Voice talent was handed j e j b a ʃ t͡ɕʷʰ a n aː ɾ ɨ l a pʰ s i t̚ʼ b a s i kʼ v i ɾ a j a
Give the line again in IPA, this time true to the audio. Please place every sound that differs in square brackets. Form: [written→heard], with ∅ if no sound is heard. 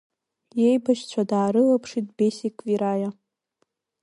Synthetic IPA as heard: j e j b a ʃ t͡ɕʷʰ a [n→d] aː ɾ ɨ l a pʰ [s→ʂ] i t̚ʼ b [a→e] s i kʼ v i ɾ a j a